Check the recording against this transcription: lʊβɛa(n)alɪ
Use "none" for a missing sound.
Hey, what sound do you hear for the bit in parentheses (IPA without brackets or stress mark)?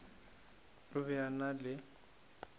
n